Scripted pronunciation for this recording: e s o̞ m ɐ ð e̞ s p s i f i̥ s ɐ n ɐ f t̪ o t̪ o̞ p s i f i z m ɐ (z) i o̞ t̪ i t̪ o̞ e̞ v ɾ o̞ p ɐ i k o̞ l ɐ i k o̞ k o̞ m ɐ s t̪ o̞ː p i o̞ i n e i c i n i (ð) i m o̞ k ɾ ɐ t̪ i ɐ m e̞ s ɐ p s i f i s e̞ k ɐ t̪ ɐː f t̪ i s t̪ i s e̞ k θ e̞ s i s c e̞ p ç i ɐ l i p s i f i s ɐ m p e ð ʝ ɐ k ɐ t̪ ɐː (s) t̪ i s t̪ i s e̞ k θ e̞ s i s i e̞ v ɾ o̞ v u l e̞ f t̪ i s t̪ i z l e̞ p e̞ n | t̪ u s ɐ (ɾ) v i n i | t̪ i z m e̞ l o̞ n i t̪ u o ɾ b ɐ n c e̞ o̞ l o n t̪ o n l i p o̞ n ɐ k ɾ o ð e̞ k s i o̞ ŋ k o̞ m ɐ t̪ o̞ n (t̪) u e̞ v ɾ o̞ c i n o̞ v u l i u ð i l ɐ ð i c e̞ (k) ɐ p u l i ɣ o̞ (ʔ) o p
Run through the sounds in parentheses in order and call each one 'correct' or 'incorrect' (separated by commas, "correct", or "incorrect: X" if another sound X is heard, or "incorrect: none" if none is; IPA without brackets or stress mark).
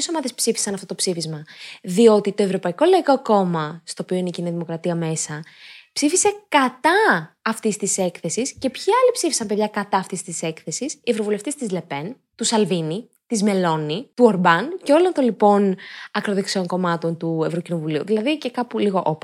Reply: incorrect: ð, correct, incorrect: f, incorrect: l, correct, correct, correct